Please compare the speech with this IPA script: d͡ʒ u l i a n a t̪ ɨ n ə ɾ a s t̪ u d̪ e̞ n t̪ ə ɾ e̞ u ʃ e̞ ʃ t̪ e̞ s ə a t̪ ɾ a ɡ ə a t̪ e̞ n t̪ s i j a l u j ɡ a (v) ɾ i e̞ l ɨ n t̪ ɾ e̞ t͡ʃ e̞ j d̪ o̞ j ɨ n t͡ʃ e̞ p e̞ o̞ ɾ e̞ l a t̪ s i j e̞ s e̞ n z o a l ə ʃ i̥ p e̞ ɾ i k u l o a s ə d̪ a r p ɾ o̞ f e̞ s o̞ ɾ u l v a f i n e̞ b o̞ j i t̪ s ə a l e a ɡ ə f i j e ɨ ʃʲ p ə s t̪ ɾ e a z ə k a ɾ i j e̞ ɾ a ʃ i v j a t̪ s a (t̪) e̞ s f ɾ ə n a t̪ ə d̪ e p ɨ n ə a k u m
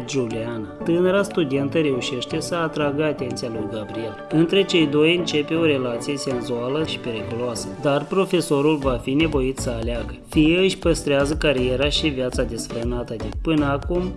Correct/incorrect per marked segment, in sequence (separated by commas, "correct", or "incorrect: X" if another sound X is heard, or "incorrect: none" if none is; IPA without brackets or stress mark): incorrect: b, incorrect: d̪